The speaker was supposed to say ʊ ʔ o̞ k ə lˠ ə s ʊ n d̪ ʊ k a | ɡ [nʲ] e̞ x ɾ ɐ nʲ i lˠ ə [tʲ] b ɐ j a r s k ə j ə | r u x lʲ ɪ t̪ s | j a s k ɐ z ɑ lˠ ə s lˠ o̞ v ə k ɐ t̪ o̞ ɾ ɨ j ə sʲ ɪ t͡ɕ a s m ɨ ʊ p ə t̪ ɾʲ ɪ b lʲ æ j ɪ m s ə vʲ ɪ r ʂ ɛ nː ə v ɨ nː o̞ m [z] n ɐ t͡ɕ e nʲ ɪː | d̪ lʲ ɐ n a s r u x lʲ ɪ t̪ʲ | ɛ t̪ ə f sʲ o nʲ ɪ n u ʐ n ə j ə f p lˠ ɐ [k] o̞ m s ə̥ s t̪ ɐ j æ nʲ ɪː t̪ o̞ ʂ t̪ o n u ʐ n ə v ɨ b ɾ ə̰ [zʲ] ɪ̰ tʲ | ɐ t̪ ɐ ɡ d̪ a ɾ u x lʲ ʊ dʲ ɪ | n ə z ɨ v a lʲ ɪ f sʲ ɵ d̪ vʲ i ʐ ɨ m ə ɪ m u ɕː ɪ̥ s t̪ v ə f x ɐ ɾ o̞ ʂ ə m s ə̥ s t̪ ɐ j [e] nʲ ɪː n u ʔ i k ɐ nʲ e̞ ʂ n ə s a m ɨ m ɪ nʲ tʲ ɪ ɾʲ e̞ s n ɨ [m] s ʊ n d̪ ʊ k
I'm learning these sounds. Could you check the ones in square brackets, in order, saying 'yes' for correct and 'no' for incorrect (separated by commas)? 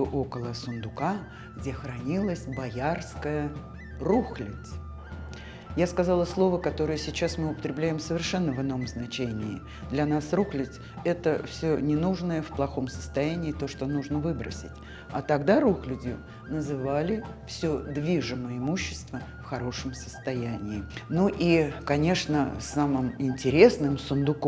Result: no, no, yes, no, no, no, yes